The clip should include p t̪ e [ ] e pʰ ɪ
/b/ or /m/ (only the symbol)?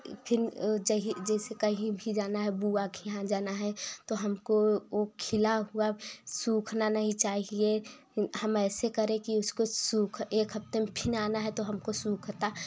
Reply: m